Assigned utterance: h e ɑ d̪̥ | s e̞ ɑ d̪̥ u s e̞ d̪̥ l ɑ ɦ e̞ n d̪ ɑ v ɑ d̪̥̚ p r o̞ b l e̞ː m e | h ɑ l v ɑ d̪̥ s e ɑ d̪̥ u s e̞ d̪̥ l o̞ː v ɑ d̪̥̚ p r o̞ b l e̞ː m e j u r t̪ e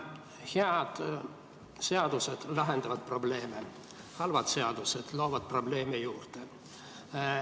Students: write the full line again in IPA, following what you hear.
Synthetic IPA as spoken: h e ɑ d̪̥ | s e̞ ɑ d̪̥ u s e̞ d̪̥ l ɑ ɦ e̞ n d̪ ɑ v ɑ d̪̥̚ p r o̞ b l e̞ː m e | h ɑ l v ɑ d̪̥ s e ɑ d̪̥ u s e̞ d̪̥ l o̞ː v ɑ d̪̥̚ p r o̞ b l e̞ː m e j uː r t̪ e